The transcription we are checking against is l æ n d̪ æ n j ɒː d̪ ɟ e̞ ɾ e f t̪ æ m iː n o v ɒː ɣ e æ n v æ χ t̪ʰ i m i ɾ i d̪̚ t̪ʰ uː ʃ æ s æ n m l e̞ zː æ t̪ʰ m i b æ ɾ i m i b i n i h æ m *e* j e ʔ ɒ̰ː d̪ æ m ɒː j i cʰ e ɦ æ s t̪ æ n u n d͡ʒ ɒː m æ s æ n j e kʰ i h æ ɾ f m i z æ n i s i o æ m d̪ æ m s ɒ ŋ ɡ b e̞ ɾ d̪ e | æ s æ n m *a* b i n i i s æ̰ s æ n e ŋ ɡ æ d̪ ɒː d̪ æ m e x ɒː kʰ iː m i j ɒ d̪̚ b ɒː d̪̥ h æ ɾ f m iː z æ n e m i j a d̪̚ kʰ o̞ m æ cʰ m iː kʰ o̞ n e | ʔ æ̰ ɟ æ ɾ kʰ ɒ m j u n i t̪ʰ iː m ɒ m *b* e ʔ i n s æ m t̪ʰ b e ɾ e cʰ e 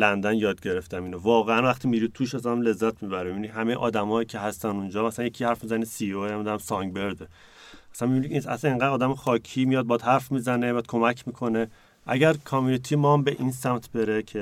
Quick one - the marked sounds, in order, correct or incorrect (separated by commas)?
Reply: correct, incorrect, correct